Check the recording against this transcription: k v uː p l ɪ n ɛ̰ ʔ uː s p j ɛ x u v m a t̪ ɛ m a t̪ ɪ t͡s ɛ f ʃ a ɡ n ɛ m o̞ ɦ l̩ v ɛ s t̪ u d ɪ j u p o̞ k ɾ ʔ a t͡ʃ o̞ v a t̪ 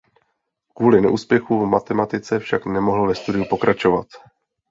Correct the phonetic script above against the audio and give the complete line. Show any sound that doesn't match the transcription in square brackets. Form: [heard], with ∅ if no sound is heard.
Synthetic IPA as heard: k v uː [∅] l ɪ n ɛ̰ ʔ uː s p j ɛ x u v m a t̪ ɛ m a t̪ ɪ t͡s ɛ f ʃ a [k] n ɛ m o̞ ɦ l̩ v ɛ s t̪ u d ɪ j u p o̞ k ɾ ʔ a t͡ʃ o̞ v a t̪